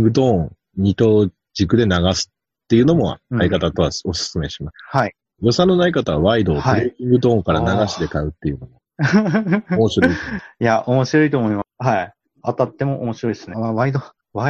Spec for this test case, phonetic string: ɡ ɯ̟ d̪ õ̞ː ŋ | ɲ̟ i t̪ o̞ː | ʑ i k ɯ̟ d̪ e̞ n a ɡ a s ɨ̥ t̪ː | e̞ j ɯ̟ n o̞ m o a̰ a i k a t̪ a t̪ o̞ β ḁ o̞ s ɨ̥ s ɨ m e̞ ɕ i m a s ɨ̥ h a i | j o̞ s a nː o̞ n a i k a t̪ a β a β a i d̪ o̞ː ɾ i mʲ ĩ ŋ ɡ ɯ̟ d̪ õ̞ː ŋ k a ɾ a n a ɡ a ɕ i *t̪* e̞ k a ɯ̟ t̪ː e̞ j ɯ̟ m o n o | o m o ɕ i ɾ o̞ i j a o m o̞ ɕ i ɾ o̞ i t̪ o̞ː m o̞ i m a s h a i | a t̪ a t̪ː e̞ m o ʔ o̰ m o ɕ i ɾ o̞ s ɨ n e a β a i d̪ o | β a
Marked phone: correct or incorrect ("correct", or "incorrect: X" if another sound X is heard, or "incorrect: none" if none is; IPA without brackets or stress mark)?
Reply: incorrect: d̪